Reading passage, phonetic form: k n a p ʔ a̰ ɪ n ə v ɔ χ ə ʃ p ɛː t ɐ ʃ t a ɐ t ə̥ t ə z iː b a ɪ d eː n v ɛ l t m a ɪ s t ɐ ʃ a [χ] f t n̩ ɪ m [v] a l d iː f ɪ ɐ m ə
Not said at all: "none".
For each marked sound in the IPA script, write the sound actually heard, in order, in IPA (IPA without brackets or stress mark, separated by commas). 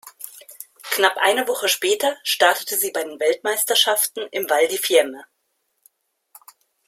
none, v